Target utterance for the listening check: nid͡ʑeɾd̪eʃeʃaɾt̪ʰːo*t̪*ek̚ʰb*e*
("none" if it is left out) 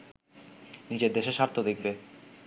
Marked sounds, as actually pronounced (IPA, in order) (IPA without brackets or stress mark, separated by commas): d̪, e